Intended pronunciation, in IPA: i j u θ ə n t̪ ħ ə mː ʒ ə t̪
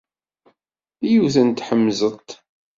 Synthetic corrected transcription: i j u θ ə n t̪ ħ ə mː z ə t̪